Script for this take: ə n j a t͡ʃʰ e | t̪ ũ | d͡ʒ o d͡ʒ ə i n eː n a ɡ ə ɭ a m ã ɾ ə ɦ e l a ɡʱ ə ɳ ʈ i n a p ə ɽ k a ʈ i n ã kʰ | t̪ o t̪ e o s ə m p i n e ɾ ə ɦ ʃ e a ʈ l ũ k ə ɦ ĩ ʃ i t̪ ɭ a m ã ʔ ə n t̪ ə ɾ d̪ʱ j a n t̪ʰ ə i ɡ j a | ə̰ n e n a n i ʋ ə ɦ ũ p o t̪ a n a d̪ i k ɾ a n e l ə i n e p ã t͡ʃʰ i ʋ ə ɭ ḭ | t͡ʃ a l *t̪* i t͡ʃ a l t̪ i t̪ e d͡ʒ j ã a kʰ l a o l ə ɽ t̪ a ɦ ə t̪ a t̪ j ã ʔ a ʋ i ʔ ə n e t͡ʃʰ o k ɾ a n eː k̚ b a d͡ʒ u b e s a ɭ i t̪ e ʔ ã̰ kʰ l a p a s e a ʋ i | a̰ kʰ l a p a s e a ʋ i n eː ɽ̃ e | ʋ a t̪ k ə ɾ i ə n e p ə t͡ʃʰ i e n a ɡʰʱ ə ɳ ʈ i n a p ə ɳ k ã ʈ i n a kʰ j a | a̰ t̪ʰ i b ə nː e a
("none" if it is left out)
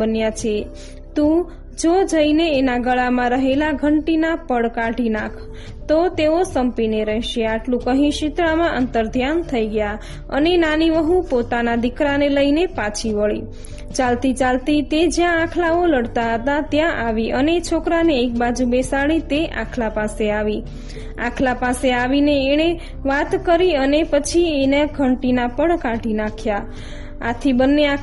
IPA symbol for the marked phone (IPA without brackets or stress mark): t̪